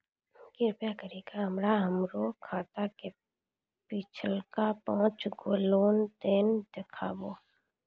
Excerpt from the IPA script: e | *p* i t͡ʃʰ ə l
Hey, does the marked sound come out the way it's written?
yes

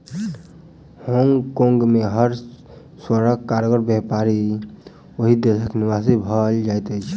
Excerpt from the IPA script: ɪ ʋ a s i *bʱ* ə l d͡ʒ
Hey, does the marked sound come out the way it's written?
yes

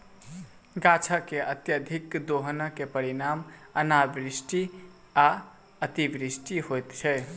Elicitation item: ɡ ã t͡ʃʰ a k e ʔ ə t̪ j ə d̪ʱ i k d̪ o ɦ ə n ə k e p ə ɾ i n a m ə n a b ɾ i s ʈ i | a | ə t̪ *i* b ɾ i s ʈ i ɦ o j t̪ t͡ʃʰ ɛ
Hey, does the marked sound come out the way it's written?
yes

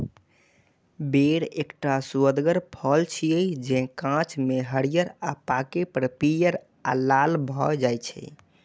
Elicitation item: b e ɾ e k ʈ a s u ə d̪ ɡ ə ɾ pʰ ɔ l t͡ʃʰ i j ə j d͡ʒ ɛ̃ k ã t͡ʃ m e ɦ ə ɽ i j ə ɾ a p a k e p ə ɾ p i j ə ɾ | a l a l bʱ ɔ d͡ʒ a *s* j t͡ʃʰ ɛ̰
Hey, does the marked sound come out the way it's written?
no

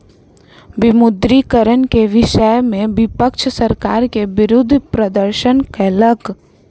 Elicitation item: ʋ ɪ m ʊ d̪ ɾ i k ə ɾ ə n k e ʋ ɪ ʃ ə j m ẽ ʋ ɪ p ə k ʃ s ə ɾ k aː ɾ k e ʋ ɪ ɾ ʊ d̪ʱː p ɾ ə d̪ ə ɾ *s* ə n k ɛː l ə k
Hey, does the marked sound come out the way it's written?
no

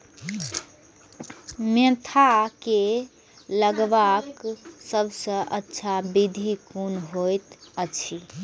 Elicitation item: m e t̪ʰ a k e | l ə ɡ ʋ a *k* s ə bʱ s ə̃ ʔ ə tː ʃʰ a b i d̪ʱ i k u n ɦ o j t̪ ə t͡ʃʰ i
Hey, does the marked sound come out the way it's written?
yes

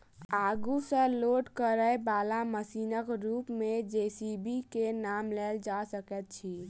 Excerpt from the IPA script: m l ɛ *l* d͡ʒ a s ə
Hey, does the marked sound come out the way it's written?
yes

